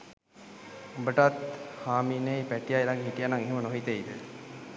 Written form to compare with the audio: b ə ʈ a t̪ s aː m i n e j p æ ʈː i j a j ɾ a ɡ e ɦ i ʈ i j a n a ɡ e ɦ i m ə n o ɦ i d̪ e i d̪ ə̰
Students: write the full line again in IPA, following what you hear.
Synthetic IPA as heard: b ə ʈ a t̪ h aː m i n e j p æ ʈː i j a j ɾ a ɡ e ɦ i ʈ i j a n a ŋ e ɦ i m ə n o ɦ i t̪ e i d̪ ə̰